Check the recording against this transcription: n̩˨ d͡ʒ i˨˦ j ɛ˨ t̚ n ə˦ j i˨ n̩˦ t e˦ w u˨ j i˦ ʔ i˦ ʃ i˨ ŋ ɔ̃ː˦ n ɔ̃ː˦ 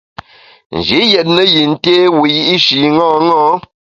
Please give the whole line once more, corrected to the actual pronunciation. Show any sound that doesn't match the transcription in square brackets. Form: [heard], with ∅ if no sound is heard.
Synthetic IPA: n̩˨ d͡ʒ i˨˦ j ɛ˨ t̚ n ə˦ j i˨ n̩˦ t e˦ w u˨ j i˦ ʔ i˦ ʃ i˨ ŋ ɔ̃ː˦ [ŋ] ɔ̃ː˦